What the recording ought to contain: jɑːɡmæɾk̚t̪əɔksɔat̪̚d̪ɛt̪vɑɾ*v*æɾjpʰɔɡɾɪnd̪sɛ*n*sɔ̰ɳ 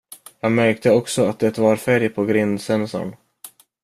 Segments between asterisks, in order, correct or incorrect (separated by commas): incorrect, correct